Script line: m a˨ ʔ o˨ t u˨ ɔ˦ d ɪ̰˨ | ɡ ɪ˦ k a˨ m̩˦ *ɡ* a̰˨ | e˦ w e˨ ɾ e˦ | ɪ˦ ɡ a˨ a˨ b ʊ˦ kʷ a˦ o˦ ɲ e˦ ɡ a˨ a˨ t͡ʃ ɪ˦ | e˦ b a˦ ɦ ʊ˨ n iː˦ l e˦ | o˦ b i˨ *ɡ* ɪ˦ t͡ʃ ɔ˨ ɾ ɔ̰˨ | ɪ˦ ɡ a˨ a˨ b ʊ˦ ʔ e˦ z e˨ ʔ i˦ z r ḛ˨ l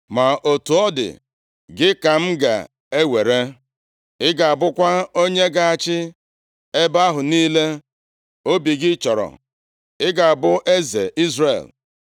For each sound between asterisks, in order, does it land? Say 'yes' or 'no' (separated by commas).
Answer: yes, yes